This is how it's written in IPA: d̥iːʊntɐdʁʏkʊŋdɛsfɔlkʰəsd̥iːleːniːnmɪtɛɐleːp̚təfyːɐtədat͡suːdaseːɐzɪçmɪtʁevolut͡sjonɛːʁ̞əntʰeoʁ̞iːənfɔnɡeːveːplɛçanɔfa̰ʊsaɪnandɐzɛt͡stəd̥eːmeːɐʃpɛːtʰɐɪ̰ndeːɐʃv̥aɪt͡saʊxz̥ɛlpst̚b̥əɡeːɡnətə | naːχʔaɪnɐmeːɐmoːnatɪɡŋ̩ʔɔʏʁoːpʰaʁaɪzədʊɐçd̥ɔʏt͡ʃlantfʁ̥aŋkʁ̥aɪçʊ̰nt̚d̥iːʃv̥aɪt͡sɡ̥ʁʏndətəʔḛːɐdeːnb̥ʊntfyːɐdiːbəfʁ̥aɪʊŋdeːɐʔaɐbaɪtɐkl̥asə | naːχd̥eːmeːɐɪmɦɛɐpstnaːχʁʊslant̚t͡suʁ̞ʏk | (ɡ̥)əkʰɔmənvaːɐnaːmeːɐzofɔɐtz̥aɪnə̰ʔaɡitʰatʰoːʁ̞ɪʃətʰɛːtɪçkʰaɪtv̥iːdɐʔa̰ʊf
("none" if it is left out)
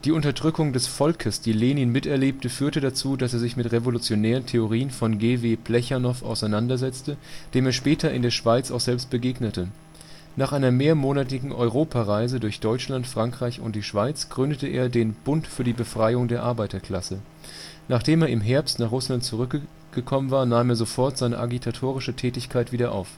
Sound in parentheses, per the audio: ɡ̥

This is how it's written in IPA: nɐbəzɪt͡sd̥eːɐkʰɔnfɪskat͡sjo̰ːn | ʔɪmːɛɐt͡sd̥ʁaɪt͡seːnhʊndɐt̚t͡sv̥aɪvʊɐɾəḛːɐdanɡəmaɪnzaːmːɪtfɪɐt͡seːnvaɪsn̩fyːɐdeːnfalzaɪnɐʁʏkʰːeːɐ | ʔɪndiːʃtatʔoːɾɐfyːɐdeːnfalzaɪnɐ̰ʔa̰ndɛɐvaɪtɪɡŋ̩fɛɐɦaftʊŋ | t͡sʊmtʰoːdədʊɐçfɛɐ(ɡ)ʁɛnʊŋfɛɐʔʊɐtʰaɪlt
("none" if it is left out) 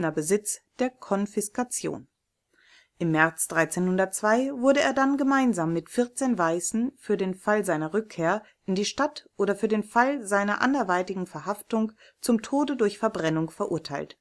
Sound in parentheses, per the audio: b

